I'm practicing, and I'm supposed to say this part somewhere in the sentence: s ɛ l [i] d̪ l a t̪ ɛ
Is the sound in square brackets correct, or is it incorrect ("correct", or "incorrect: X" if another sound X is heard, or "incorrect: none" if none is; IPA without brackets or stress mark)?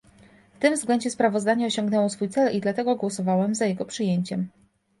correct